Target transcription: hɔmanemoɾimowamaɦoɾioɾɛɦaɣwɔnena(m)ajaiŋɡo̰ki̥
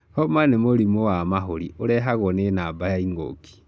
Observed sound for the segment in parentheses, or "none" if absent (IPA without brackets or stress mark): b